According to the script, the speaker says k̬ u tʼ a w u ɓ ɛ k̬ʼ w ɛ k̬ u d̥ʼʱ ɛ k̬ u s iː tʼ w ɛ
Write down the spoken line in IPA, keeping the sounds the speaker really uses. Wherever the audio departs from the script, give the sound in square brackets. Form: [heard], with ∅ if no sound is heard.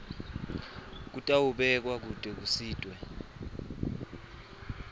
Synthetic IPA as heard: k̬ u tʼ a w u ɓ ɛ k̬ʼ w [a] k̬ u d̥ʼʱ ɛ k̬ u s iː tʼ w ɛ